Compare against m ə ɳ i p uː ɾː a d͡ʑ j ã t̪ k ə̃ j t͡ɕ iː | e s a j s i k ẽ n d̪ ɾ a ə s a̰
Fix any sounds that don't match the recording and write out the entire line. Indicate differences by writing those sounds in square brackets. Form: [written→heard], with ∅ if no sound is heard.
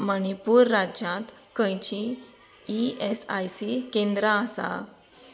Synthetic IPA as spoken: m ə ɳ i p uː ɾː a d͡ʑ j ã t̪ k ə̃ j t͡ɕ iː | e s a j s i k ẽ n d̪ ɾ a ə s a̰